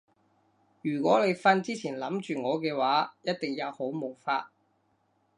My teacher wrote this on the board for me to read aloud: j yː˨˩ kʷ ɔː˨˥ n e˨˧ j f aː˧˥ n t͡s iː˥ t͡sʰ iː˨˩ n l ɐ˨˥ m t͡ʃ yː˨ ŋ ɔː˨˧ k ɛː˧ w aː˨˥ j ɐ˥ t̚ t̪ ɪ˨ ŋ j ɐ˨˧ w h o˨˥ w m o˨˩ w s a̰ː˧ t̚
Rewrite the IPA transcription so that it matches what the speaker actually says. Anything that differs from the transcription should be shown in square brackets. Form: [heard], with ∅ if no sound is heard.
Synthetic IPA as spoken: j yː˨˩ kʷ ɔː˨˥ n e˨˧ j f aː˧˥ n t͡s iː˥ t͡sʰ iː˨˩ n l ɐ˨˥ m t͡ʃ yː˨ ŋ ɔː˨˧ k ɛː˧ w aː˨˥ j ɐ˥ t̚ t̪ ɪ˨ ŋ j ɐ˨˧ w h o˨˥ w m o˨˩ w [f] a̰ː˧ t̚